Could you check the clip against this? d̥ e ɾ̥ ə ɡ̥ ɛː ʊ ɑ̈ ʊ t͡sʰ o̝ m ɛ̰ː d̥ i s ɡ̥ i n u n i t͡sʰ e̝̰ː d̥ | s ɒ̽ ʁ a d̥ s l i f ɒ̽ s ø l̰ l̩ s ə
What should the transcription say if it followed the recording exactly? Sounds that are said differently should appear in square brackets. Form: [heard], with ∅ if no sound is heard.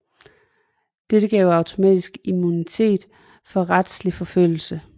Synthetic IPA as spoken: d̥ e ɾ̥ ə ɡ̥ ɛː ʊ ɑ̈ ʊ t͡sʰ o̝ m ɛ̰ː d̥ i s ɡ̥ i [m] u n i t͡sʰ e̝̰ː d̥ | [f] ɒ̽ ʁ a d̥ s l i f ɒ̽ [f] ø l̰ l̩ s ə